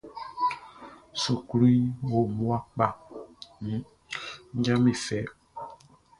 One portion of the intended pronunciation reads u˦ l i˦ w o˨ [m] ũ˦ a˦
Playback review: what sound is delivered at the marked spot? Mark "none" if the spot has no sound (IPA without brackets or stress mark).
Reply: m